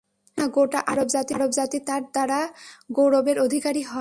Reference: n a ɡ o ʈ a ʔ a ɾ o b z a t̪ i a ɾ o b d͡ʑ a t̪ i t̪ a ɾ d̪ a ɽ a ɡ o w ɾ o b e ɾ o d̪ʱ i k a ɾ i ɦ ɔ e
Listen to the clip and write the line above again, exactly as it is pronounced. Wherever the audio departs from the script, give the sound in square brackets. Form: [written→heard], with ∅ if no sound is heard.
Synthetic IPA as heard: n a ɡ o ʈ a ʔ a ɾ o b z a t̪ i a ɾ o b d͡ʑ a t̪ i t̪ a ɾ d̪ a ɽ a ɡ o w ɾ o b e ɾ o d̪ʱ i k a ɾ i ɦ ɔ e